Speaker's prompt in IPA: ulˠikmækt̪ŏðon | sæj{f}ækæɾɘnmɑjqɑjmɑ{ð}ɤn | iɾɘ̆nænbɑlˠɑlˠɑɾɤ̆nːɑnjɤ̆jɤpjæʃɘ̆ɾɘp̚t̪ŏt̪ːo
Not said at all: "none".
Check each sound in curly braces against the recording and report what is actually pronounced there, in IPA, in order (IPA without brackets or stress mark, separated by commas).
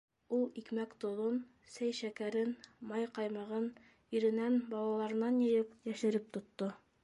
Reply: ʃ, ʁ